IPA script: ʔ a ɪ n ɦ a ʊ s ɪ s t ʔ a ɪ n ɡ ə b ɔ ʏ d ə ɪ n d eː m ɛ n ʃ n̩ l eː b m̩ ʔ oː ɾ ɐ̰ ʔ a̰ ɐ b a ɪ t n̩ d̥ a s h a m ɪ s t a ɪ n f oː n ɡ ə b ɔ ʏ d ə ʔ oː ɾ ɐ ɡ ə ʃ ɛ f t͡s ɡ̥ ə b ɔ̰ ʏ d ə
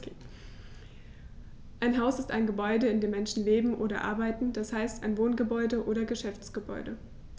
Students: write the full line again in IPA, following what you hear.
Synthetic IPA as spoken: ʔ a ɪ n ɦ a ʊ s ɪ s t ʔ a ɪ n ɡ ə b ɔ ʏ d ə ɪ n d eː m ɛ n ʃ n̩ l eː b m̩ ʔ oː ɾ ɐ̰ ʔ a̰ ɐ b a ɪ t n̩ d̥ a s h a ɪ s t a ɪ n v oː n ɡ ə b ɔ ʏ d ə ʔ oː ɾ ɐ ɡ ə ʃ ɛ f t͡s ɡ̥ ə b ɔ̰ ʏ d ə